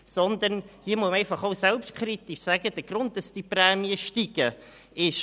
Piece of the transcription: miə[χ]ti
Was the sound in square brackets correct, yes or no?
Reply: no